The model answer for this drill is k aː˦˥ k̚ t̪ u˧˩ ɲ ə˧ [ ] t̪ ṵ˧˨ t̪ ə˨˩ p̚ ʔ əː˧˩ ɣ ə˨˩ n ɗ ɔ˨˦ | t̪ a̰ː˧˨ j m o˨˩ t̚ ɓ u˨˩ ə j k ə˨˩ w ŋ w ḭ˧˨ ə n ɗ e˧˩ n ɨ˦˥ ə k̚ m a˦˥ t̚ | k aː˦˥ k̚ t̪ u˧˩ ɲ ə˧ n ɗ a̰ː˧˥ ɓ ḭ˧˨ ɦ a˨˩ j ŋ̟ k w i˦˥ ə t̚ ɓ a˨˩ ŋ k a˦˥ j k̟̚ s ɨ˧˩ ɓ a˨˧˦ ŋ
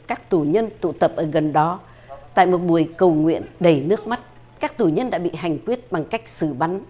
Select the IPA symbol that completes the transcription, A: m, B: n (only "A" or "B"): B